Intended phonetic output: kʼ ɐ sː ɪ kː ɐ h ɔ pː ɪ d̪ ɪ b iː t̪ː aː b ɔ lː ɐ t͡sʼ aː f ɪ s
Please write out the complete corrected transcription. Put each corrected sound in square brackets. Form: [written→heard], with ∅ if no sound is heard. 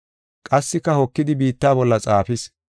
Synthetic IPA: kʼ ɐ sː ɪ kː ɐ h ɔ [pː→kː] ɪ d̪ ɪ b iː t̪ː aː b ɔ lː ɐ t͡sʼ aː f ɪ s